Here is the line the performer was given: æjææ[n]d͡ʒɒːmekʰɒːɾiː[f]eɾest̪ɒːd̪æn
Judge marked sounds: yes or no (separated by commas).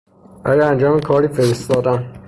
yes, yes